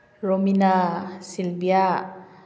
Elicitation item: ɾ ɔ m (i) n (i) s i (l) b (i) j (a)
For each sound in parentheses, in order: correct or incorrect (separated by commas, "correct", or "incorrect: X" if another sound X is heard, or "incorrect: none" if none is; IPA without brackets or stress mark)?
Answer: correct, incorrect: a, correct, correct, correct